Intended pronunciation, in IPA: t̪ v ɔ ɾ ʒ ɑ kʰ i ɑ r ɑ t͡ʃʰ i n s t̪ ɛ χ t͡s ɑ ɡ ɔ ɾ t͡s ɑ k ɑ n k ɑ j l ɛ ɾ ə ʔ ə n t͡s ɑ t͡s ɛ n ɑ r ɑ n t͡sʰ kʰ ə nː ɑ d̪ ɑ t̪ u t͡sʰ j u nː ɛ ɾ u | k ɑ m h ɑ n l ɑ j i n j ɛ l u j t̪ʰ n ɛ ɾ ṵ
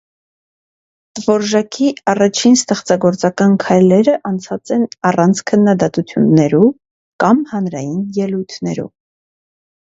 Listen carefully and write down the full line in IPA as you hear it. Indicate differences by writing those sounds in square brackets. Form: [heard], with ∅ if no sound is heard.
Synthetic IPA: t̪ v ɔ ɾ ʒ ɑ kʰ i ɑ r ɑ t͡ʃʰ i n s t̪ ɛ χ t͡s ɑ ɡ ɔ ɾ t͡s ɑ k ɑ n [kʰ] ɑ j l ɛ ɾ ə ʔ [ɑ] n [t͡sʰ] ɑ t͡s ɛ n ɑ r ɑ n t͡sʰ kʰ ə nː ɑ d̪ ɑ t̪ u t͡sʰ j u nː ɛ ɾ u | k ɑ m h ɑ n [ɾ] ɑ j i n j ɛ l u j t̪ʰ n ɛ ɾ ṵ